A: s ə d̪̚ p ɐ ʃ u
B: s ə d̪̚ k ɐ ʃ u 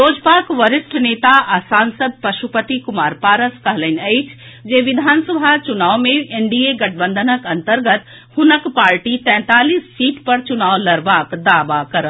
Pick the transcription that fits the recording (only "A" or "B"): A